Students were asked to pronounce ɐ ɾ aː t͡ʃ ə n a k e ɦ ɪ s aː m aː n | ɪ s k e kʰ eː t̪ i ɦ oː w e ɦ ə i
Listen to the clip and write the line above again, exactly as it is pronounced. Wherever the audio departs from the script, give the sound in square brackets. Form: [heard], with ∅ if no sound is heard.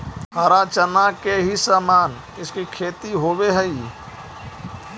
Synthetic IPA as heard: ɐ ɾ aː t͡ʃ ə n a k e ɦ [i] s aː m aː n | ɪ s k [i] kʰ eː t̪ i ɦ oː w e ɦ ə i